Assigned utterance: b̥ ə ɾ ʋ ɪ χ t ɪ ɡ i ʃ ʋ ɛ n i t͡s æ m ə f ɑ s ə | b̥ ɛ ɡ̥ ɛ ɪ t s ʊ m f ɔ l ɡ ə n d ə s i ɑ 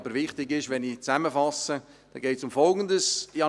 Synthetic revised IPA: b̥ ə ɾ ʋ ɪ χ t ɪ ɡ ɪ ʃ ʋ ɛ n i t͡s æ m ə f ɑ s ə | d̥ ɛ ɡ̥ ɛ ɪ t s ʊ m f ɔ l ɡ ə n d ə s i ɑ